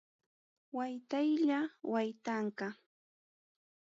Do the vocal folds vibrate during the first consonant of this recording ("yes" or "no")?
yes